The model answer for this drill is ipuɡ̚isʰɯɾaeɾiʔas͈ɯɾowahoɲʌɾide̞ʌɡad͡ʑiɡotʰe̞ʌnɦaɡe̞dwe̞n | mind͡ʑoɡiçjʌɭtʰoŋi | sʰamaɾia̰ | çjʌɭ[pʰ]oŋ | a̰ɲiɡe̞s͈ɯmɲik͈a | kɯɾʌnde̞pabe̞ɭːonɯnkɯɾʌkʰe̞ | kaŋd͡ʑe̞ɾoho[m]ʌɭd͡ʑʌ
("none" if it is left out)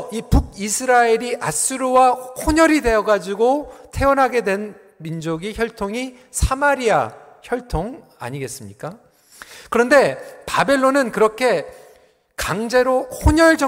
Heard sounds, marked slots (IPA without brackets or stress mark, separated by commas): tʰ, ɲ